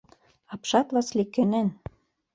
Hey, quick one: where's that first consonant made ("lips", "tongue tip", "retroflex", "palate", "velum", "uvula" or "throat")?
lips